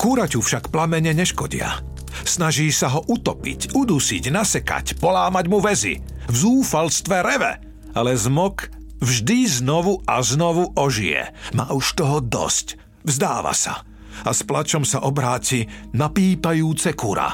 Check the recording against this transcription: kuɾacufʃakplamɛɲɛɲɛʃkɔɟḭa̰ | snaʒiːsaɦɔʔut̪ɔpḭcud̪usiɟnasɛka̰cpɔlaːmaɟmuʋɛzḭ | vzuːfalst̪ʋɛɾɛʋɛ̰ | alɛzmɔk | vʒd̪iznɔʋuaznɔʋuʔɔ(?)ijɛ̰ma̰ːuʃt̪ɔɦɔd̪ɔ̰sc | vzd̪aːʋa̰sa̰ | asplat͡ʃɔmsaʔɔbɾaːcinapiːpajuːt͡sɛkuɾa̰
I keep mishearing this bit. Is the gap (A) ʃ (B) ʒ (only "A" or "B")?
B